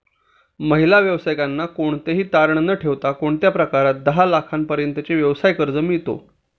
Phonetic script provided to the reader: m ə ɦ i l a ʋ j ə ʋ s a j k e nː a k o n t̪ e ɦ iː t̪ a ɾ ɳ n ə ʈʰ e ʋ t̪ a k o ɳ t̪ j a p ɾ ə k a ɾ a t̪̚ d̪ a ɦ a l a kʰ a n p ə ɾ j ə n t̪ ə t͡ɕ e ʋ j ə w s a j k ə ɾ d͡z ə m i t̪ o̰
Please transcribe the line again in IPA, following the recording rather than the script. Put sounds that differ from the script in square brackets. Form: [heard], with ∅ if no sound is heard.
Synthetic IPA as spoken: m ə ɦ i l a ʋ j ə ʋ s a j k [a] nː a k o [ɳ] t̪ e ɦ iː t̪ a ɾ ɳ n ə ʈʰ e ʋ t̪ a k o ɳ t̪ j a p ɾ ə k a ɾ a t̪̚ d̪ [ə] ɦ a l a kʰ a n p ə ɾ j ə n t̪ ə t͡ɕ e ʋ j ə [ʋ] s a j k ə ɾ d͡z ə m i t̪ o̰